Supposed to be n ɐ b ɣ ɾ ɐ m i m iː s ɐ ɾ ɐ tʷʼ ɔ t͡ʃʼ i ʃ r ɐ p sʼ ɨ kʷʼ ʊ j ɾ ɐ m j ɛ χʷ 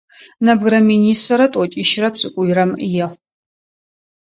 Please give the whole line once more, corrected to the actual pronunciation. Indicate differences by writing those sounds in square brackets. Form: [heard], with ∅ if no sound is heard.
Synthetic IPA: n ɐ b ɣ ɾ ɐ m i [n] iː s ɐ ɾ ɐ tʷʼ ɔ t͡ʃʼ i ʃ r ɐ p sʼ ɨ kʷʼ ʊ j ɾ ɐ m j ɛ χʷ